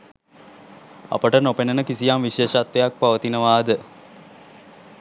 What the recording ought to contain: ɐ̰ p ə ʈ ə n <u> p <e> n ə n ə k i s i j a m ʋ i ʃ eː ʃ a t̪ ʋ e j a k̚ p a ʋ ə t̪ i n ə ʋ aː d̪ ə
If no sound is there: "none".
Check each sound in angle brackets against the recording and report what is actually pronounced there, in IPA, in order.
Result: o, e

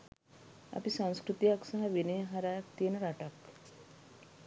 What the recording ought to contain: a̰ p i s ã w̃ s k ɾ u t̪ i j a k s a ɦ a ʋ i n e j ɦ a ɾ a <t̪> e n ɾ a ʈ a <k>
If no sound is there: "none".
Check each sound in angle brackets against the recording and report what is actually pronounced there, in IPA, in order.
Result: t̪, k

